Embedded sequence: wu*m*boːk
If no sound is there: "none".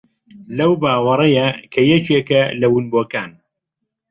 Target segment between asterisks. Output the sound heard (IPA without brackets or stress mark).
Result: n